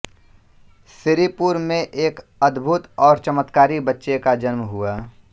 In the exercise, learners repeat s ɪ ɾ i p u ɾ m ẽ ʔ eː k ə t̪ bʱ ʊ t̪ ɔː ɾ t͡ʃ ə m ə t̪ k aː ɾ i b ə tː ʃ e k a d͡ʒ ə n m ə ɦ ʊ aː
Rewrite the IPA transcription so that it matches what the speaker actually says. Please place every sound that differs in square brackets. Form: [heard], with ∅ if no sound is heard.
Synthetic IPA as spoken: s ɪ ɾ i p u ɾ m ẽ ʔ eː k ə [d̪] bʱ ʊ t̪ ɔː ɾ t͡ʃ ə m ə t̪ k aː ɾ i b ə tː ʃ e k a d͡ʒ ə n m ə ɦ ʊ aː